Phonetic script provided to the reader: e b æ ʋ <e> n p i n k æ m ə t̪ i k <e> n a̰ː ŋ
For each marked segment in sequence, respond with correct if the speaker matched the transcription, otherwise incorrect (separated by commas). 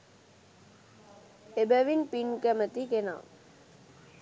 incorrect, correct